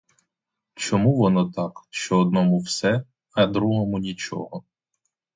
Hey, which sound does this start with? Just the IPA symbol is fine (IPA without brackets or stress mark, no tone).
t͡ʃ